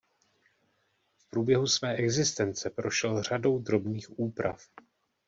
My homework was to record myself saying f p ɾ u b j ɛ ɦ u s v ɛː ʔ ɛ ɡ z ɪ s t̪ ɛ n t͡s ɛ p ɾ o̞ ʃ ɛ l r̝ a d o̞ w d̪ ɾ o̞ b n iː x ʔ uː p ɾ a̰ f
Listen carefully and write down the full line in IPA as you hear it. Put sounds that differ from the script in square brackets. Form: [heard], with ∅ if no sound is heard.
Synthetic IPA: f p ɾ [uː] b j ɛ ɦ u s v ɛː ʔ ɛ ɡ z ɪ s t̪ ɛ n t͡s ɛ p ɾ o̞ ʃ ɛ l r̝ a d o̞ w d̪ ɾ o̞ b n iː x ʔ uː p ɾ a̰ f